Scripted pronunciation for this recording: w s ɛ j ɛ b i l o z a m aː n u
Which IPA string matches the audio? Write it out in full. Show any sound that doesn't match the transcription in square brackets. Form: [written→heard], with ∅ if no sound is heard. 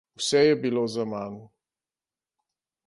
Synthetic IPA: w s ɛ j ɛ b i l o z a m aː n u